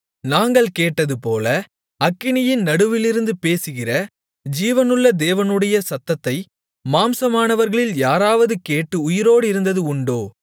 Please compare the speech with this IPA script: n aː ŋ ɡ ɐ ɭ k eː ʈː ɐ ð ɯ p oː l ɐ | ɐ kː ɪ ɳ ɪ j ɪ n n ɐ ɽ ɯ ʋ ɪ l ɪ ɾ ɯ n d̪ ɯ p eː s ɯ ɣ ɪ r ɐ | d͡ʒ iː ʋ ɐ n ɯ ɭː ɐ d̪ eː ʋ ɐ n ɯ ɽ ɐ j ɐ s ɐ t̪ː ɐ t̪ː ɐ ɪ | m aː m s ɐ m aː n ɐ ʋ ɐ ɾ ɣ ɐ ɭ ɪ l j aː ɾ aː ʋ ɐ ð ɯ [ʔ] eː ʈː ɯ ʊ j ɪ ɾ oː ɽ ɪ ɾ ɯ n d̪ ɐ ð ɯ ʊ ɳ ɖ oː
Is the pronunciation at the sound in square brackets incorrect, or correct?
incorrect